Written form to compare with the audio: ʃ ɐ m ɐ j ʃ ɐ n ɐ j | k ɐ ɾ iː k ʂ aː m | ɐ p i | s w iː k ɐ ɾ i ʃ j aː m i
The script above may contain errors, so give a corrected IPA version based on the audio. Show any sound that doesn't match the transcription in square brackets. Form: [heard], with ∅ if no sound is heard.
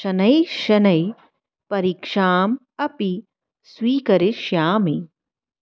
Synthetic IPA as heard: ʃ ɐ [n] ɐ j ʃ ɐ n ɐ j | [p] ɐ ɾ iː k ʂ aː m | ɐ p i | s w iː k ɐ ɾ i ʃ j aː m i